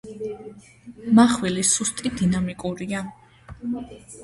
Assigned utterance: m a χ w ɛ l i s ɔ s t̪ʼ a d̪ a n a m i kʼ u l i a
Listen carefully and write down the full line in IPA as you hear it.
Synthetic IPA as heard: m a χ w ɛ l i s u s t̪ʼ i d̪ i n a m i kʼ u ɾ i a